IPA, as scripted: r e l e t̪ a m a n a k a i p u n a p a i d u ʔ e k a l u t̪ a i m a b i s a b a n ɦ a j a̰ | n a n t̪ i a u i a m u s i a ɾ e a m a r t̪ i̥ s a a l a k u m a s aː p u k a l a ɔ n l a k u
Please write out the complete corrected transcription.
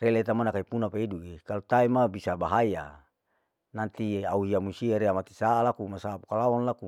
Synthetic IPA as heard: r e l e t̪ a m a n a k a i p u n a p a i d u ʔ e k a l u t̪ a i m a b i s a b a ɦ a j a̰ | n a n t̪ i a u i a m u s i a ɾ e a m a t̪ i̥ s a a l a k u m a s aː p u k a l a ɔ n l a k u